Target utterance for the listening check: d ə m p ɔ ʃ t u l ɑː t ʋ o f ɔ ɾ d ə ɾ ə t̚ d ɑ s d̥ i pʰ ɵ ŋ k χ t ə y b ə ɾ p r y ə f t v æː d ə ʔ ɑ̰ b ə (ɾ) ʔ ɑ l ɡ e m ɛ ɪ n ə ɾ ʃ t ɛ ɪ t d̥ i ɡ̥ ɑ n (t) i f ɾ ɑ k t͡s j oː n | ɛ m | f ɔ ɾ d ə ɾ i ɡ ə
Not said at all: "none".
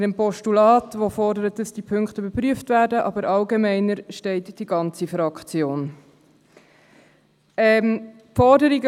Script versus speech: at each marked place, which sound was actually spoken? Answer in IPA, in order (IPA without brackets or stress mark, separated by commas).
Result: ɾ, t͡s